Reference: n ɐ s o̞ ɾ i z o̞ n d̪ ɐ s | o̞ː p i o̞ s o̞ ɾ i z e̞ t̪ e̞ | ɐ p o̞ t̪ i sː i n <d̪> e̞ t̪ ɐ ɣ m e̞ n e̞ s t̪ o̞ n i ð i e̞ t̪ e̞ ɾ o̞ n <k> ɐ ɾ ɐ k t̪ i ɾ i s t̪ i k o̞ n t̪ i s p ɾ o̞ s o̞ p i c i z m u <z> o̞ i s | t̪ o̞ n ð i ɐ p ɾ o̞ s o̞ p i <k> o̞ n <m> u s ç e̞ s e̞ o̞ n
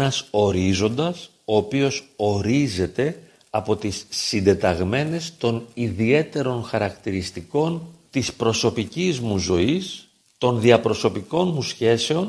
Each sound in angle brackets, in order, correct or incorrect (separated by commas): correct, incorrect, correct, correct, correct